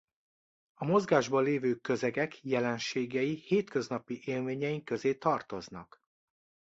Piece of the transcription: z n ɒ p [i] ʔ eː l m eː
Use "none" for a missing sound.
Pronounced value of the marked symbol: i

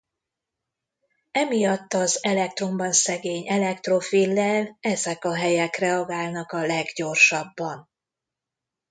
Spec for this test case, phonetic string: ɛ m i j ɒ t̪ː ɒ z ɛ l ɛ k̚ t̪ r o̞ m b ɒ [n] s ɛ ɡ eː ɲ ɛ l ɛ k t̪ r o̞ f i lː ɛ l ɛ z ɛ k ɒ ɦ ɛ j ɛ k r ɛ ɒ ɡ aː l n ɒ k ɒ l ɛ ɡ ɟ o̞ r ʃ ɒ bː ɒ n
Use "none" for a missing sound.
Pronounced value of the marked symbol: n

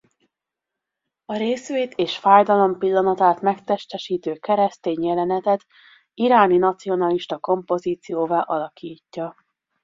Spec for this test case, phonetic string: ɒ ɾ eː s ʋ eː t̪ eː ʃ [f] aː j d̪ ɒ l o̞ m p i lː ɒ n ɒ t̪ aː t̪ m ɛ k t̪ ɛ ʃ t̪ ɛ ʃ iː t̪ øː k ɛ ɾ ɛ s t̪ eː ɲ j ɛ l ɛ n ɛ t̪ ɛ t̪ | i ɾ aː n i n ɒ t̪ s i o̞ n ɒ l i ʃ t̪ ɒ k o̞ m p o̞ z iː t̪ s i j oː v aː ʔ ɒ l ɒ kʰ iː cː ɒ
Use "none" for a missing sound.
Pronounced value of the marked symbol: f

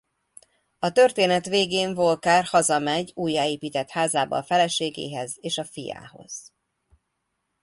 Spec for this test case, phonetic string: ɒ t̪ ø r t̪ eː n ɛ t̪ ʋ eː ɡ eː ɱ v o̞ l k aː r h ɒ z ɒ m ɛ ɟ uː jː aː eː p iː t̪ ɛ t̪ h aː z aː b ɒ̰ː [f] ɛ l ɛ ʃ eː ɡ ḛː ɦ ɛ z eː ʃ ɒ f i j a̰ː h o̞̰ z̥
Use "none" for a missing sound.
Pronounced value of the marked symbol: f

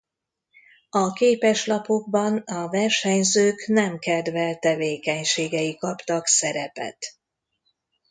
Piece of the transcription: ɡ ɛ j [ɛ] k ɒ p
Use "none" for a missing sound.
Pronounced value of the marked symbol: i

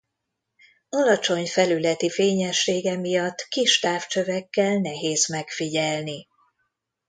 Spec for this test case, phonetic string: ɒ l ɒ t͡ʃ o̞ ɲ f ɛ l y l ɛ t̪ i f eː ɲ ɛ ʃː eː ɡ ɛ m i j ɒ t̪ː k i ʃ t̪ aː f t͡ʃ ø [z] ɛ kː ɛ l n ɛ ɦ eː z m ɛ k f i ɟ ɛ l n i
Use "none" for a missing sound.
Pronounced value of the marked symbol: v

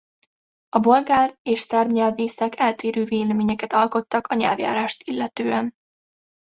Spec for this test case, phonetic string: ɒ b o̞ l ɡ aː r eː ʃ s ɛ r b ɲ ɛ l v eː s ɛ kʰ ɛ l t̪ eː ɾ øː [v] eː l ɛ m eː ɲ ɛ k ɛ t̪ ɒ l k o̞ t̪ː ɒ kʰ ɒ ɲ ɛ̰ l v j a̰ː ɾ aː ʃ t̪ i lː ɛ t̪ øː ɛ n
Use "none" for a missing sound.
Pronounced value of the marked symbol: v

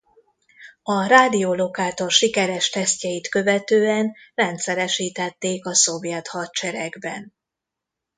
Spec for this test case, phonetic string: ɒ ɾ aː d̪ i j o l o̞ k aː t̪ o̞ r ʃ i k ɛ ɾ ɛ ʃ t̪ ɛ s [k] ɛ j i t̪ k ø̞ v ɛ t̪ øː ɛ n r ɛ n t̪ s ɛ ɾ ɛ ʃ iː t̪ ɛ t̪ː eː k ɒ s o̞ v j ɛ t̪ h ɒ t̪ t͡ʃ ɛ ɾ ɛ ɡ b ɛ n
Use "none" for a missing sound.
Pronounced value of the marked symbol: c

